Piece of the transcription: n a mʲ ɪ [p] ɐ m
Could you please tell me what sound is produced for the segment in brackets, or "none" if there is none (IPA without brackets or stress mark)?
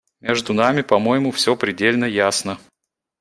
p